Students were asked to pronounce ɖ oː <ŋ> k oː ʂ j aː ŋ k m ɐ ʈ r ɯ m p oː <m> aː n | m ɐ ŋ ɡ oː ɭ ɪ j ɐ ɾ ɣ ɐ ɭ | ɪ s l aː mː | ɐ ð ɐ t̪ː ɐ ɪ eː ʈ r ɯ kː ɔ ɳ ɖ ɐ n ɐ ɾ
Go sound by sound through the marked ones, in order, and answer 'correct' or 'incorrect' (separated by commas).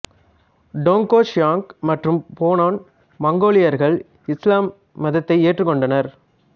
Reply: correct, incorrect